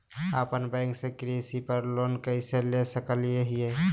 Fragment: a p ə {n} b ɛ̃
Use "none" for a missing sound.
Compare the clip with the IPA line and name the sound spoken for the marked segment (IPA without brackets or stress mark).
n